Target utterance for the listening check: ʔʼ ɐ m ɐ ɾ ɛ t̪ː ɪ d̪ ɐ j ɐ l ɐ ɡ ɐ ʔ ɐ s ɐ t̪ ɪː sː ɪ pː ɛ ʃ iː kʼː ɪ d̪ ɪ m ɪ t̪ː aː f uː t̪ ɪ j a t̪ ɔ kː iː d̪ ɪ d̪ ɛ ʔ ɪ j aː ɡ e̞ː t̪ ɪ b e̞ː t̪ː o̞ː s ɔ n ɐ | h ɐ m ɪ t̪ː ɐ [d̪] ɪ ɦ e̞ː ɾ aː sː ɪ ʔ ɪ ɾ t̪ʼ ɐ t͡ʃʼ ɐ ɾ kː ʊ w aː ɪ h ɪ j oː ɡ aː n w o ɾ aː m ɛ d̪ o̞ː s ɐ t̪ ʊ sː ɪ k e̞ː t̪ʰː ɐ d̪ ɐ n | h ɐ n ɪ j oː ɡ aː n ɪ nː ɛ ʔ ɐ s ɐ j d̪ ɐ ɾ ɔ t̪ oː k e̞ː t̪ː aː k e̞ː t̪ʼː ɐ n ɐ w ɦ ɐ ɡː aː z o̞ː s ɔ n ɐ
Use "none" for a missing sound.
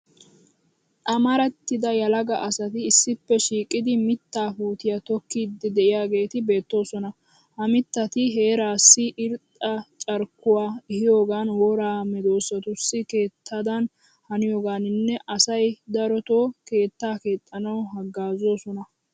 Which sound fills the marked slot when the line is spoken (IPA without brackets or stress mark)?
t̪